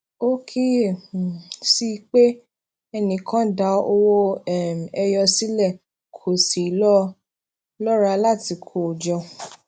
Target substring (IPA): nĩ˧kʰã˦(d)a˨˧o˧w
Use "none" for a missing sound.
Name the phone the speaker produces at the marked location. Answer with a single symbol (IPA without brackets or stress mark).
d